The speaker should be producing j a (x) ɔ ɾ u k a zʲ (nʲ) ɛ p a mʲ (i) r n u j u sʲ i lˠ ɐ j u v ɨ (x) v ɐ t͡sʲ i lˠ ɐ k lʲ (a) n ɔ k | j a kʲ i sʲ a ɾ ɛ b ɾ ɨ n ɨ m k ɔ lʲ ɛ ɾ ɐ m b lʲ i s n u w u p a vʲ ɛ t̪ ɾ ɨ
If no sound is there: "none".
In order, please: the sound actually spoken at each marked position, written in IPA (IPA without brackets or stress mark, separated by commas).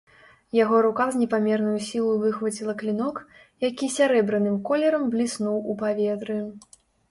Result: ɣ, nʲ, ɛ, x, i